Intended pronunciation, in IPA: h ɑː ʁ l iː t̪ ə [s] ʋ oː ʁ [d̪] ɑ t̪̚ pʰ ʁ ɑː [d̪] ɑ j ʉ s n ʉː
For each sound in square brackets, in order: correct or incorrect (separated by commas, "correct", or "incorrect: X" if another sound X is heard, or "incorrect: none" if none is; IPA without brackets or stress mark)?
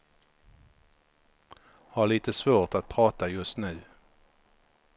correct, incorrect: t̪, incorrect: t̪